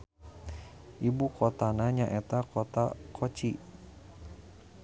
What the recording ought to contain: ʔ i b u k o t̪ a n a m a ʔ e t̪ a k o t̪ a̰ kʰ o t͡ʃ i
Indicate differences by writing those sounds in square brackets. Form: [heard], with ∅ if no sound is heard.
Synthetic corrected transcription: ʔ i b u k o t̪ a n a [ɲ] a ʔ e t̪ a k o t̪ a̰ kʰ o t͡ʃ i